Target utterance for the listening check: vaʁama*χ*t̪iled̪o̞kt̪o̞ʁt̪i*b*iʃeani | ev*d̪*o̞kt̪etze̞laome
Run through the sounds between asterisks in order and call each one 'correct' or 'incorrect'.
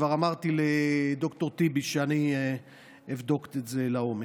incorrect, correct, correct

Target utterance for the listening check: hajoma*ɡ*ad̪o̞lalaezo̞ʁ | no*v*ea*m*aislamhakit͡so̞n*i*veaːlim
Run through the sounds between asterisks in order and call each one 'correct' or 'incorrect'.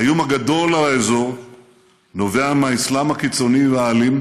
correct, correct, correct, correct

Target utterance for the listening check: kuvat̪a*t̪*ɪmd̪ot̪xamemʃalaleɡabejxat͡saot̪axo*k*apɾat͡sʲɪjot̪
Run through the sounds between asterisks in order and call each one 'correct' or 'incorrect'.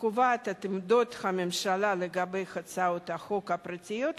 correct, correct

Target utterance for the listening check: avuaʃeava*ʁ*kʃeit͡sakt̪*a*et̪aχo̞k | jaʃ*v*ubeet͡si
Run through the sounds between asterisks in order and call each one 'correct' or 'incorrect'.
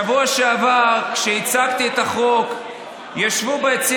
correct, incorrect, correct

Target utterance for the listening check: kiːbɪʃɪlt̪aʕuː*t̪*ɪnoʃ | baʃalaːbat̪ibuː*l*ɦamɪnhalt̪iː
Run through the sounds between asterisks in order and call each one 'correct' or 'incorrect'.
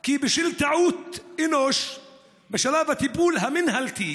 correct, correct

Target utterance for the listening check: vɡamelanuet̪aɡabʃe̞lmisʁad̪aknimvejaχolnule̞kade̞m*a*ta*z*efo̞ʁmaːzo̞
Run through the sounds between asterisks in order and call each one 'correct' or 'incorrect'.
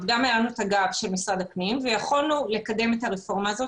incorrect, incorrect

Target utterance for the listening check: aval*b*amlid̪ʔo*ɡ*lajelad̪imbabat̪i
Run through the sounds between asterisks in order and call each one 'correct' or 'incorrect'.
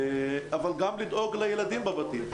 incorrect, correct

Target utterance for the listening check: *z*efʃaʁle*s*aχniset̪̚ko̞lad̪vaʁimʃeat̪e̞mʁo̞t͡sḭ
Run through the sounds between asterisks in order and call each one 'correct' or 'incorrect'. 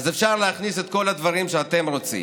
correct, incorrect

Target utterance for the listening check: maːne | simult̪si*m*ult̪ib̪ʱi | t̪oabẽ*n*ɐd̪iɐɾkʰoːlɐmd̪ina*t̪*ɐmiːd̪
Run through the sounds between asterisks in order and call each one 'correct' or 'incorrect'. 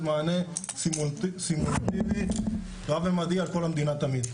correct, incorrect, correct

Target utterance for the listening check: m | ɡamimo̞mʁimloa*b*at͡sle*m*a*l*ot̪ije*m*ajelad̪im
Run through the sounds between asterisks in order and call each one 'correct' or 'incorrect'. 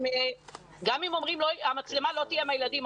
incorrect, correct, correct, correct

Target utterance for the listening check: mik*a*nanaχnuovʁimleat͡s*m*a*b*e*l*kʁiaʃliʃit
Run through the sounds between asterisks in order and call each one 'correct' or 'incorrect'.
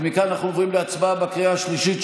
correct, incorrect, correct, incorrect

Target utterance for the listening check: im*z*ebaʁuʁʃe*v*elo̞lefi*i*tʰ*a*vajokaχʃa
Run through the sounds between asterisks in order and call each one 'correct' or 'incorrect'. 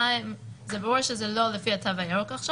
correct, incorrect, incorrect, correct

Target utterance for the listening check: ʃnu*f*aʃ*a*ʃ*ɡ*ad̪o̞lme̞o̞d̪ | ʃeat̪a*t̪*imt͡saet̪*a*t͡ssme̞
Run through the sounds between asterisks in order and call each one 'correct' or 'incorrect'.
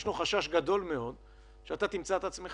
incorrect, correct, correct, correct, correct

